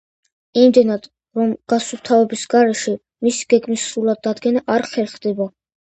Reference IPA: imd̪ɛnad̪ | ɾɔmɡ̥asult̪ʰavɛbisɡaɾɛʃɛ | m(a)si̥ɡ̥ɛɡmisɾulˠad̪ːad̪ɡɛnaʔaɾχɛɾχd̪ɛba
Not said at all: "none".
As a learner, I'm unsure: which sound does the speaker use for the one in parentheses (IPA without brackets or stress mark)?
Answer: i